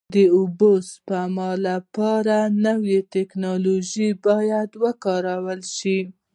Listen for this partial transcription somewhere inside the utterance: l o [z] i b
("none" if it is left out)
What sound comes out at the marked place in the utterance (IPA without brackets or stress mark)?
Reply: ʒ